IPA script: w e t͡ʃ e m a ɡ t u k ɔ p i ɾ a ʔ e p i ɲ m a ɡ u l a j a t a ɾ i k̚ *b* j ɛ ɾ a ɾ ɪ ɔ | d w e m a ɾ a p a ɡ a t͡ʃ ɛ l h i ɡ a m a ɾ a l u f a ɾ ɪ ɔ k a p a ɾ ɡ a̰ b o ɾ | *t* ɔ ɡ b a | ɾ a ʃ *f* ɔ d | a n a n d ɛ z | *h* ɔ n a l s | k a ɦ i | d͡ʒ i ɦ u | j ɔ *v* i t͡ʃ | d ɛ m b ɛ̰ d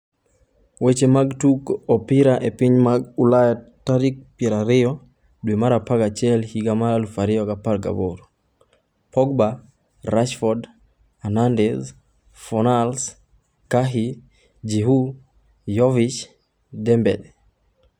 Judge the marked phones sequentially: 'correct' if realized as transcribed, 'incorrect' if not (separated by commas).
incorrect, incorrect, correct, incorrect, correct